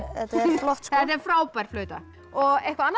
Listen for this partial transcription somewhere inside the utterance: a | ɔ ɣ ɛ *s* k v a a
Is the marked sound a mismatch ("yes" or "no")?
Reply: yes